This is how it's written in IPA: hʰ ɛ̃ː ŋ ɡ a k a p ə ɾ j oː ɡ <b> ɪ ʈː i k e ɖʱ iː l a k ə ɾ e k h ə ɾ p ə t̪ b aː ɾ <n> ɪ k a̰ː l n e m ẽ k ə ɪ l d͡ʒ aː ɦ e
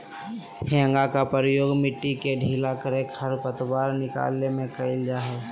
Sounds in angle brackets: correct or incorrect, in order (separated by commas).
incorrect, correct